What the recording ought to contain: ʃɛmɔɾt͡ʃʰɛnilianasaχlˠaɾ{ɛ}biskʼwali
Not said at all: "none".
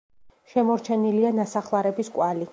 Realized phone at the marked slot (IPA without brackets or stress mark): ɛ